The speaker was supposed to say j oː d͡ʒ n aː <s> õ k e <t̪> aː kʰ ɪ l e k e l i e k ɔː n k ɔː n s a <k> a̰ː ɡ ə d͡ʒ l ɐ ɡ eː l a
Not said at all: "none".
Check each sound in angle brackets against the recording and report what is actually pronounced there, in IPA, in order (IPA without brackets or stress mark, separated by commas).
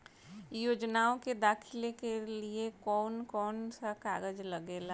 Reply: none, d̪, k